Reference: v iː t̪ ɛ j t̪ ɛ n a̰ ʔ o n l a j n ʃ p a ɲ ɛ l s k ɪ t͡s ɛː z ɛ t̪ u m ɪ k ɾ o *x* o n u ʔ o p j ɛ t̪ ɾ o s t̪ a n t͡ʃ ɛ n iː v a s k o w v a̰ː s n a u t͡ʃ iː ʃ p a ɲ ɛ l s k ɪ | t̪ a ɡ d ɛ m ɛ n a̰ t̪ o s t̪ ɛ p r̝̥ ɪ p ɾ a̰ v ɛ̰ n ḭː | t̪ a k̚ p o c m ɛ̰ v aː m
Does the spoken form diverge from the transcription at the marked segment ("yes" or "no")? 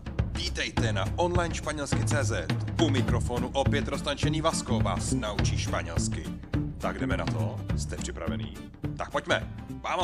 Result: yes